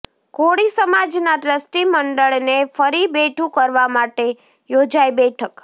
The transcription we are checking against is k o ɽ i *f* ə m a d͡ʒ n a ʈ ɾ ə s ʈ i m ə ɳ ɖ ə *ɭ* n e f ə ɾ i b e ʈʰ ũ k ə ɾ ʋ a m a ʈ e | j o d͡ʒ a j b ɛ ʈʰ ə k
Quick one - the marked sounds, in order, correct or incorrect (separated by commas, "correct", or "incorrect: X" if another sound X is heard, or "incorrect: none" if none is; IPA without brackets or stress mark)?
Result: incorrect: s, correct